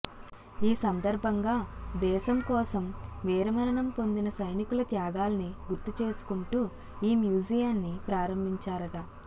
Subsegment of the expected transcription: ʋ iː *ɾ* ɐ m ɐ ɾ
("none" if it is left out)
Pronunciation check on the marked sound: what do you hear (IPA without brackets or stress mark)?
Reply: ɾ